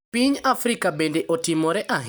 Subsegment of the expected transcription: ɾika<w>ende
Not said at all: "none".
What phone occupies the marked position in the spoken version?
b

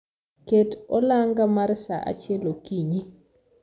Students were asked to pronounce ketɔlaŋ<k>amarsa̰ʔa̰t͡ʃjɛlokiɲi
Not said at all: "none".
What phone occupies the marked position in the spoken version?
ɡ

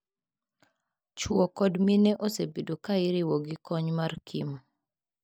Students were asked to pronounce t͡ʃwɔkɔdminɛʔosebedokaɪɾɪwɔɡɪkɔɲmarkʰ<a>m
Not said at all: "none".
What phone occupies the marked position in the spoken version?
i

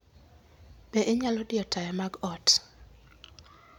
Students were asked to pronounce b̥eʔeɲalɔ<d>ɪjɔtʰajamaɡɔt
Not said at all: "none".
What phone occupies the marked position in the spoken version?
d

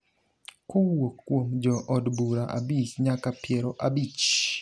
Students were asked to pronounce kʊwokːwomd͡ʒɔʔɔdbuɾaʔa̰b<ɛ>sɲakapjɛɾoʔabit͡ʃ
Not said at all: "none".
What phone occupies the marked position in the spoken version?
i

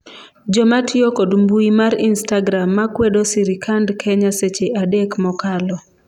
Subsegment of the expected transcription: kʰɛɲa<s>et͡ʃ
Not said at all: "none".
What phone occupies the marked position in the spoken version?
s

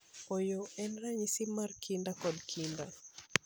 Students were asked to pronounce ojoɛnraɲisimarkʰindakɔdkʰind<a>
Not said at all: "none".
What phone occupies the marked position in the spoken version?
a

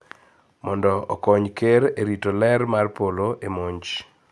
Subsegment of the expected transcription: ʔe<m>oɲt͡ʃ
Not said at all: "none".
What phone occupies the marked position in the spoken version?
m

